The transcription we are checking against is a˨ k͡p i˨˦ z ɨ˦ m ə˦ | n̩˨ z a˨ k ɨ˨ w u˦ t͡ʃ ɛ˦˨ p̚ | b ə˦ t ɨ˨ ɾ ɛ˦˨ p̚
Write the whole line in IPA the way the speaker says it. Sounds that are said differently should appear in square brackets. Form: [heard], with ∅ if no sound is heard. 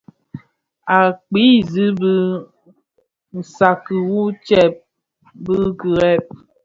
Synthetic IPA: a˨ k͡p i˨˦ z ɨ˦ [b] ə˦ | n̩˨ [s] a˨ k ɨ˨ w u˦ t͡ʃ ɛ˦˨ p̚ | b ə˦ [k] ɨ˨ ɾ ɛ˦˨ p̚